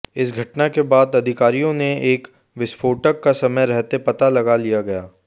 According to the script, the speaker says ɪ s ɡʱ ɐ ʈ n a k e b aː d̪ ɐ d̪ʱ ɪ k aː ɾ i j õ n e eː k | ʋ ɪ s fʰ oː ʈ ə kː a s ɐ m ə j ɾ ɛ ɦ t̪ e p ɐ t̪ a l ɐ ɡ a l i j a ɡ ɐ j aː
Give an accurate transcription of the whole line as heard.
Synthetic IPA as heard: ɪ s ɡʱ ɐ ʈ n a k e b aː d̪ ɐ d̪ʱ ɪ k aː ɾ i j õ n e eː k | ʋ ɪ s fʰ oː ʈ ə kː a s ɐ m ə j ɾ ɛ ɦ t̪ e p ɐ t̪ a l ɐ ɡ a l i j a ɡ ɐ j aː